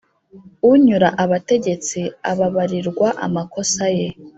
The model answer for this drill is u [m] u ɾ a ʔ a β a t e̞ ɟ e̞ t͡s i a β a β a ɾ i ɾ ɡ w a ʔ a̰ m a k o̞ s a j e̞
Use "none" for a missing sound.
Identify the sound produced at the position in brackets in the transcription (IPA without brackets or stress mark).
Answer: ɲ